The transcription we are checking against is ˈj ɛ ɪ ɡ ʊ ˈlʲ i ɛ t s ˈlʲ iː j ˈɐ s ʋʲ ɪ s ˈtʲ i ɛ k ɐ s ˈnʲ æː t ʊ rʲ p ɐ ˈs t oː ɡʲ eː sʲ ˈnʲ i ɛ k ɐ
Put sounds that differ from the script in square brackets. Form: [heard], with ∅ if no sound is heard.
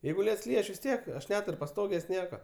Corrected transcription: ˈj ɛ ɪ ɡ ʊ ˈlʲ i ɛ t s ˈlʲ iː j ˈɐ [ʃ] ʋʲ ɪ s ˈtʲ i ɛ k ɐ [ʃ] ˈnʲ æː t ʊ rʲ p ɐ ˈs t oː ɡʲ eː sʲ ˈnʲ i ɛ k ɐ